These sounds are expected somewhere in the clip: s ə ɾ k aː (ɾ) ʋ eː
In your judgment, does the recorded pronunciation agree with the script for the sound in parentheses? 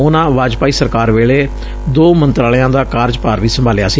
yes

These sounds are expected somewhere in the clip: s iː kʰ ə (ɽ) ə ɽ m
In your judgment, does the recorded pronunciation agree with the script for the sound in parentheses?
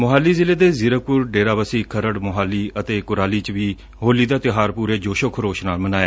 no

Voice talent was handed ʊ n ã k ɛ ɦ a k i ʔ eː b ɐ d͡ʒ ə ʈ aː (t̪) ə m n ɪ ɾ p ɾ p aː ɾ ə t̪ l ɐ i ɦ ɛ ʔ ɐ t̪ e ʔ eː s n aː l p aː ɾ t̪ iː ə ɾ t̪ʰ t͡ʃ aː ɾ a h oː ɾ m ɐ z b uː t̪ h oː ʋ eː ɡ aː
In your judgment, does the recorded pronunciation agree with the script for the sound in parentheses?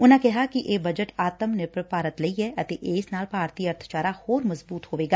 yes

